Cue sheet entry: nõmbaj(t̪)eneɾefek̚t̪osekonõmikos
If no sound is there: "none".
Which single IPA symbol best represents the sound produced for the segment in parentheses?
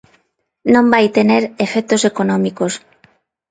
t̪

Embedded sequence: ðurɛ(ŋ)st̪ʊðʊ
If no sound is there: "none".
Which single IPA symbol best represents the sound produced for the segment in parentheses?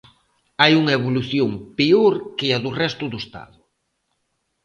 none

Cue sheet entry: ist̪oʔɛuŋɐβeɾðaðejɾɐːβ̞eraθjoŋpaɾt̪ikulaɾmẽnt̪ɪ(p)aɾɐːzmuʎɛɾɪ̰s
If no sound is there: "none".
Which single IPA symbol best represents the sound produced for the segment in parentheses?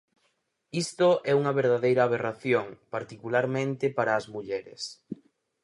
p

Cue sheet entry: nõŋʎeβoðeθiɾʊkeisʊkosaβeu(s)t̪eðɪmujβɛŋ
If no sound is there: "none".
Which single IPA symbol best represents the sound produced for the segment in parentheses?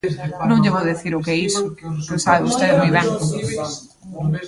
s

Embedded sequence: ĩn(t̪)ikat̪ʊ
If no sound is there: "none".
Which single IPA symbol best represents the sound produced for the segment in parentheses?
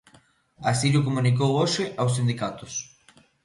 d̪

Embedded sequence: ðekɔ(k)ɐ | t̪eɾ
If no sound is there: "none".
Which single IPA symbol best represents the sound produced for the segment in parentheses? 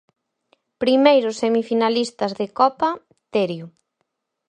p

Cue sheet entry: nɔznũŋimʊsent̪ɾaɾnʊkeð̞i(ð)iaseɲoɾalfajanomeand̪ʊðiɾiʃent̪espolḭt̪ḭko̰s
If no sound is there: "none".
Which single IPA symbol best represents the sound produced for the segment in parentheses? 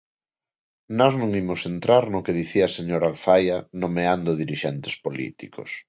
θ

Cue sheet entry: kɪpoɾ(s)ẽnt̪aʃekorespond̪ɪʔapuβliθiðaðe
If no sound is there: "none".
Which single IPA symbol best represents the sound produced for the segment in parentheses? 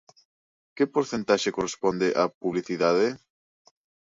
θ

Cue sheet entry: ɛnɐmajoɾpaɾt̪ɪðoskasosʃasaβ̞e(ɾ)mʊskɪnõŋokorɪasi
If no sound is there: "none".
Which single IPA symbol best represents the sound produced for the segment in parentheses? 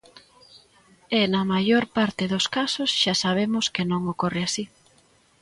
none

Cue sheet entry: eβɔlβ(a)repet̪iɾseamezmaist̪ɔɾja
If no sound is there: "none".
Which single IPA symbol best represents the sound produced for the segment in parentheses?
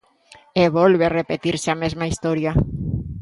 e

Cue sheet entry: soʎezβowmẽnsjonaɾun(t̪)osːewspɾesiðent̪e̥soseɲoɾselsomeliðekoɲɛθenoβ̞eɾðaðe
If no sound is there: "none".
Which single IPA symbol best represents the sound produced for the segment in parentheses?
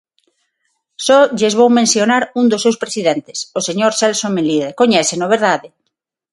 d̪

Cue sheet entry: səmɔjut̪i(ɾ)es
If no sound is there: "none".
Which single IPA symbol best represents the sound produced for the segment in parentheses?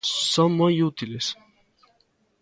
l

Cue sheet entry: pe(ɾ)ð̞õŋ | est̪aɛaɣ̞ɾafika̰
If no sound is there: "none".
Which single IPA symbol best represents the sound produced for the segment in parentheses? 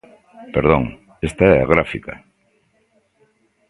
ɾ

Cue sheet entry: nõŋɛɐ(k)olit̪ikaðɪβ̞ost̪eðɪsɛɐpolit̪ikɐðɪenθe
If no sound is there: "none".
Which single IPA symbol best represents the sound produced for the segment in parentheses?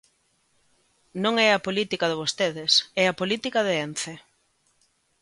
p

